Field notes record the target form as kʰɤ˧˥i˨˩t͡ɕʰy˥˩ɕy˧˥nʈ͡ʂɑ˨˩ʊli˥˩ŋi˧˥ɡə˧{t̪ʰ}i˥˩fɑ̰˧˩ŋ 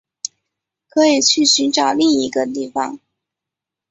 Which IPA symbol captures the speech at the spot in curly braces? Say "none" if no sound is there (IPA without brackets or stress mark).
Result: t̪